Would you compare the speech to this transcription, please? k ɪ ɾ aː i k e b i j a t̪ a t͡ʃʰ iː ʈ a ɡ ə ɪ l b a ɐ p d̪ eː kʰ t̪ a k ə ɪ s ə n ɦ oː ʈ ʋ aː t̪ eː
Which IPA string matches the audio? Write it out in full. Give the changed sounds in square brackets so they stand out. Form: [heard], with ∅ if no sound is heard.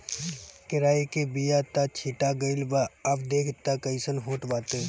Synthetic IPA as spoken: k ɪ ɾ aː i k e b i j a t̪ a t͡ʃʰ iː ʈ a ɡ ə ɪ l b a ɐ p d̪ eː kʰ t̪ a k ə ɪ s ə n ɦ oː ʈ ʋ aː t̪ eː